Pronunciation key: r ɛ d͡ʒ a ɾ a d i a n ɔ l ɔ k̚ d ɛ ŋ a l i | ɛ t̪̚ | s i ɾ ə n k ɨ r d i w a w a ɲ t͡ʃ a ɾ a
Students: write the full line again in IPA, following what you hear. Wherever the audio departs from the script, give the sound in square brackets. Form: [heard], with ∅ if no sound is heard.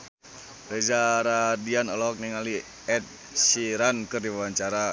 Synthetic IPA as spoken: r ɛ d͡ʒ a ɾ a d i a n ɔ l ɔ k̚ [n] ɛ ŋ a l i | ɛ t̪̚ | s i ɾ [a] n k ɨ r d i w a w a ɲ t͡ʃ a ɾ a

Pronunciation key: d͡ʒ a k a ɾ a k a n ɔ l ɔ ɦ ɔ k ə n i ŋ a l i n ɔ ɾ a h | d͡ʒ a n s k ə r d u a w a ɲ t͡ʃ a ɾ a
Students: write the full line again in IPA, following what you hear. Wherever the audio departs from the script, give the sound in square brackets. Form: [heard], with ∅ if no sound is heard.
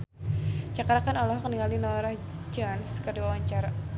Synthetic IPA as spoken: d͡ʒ a k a ɾ a k a n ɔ l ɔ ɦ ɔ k ə n i ŋ a l i n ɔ ɾ a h | d͡ʒ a n s k ə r d u a w a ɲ t͡ʃ a ɾ a

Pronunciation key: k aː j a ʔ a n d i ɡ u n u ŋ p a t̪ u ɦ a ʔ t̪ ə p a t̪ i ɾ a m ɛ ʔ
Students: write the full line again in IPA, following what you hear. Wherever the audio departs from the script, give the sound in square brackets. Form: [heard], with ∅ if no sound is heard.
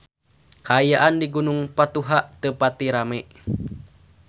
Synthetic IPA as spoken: k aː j a ʔ a n d i ɡ u n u ŋ p a t̪ u ɦ a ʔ t̪ ə p a t̪ i ɾ a m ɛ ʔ

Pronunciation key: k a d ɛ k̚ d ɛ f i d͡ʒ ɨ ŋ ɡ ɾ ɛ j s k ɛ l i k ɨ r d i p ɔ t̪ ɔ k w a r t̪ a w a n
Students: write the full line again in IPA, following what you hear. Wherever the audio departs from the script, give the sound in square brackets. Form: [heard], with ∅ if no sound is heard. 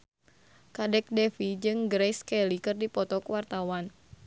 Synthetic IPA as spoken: k a d ɛ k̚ d ɛ f i d͡ʒ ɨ ŋ ɡ ɾ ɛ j s k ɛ l i k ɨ r d i p ɔ t̪ ɔ k w a r t̪ a w a n

